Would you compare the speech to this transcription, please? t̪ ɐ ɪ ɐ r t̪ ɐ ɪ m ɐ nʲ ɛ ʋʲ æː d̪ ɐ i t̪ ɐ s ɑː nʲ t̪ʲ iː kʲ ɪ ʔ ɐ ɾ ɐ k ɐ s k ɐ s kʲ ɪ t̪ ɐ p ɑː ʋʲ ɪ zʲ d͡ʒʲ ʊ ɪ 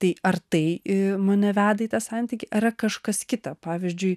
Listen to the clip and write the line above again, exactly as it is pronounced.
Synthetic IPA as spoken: t̪ ɐ ɪ ɐ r t̪ ɐ ɪ m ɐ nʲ ɛ ʋʲ æː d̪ ɐ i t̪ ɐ s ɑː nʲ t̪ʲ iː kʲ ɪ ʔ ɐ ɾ ɐ k ɐ ʃ k ɐ s kʲ ɪ t̪ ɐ p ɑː ʋʲ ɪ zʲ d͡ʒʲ ʊ ɪ